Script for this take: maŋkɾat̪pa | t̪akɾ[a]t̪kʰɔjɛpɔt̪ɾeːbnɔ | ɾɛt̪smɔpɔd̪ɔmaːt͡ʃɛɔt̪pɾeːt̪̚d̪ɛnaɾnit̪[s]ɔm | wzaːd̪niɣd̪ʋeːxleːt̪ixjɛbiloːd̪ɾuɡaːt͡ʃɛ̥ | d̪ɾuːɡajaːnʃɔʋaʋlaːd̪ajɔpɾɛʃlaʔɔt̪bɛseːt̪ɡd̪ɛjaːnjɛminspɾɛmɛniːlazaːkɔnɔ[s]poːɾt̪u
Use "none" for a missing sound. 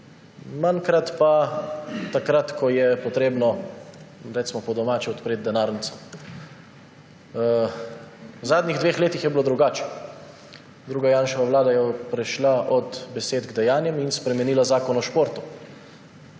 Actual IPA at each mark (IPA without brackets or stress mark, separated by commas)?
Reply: a, s, ʃ